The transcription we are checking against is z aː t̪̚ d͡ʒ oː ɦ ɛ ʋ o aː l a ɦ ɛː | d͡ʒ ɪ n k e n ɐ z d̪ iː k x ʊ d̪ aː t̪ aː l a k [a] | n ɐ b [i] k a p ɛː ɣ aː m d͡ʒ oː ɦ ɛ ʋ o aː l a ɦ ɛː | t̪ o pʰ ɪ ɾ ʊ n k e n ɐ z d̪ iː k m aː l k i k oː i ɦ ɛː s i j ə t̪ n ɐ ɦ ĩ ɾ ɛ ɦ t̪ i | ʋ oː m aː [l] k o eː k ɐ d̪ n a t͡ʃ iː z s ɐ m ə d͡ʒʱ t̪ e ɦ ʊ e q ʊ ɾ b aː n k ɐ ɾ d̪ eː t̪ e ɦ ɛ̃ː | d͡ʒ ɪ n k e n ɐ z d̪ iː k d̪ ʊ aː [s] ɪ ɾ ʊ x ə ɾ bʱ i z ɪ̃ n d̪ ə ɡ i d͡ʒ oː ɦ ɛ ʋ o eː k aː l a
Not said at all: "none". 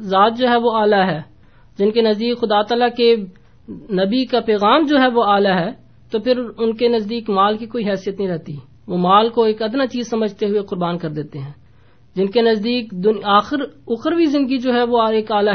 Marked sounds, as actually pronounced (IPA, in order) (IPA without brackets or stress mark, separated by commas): e, i, l, x